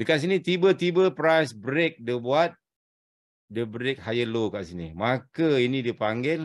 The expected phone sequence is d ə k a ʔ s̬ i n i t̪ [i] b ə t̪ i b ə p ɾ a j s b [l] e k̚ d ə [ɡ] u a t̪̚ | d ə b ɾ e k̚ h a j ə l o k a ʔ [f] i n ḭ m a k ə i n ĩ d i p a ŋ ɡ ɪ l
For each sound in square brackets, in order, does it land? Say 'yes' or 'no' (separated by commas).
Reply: yes, no, no, no